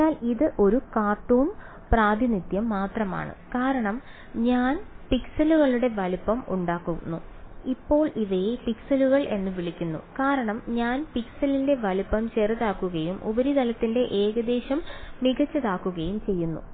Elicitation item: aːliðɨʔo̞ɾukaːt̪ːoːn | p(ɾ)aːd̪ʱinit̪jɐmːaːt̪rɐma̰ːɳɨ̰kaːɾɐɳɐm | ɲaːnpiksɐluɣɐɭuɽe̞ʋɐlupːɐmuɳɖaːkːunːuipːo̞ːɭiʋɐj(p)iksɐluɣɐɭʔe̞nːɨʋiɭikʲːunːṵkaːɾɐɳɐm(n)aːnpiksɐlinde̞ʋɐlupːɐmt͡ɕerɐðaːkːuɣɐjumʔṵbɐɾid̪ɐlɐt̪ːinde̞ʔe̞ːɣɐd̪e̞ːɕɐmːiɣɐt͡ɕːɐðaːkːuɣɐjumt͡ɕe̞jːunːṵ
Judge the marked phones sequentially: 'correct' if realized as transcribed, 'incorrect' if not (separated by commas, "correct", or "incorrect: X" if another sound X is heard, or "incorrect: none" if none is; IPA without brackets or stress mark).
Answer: incorrect: r, correct, incorrect: ɲ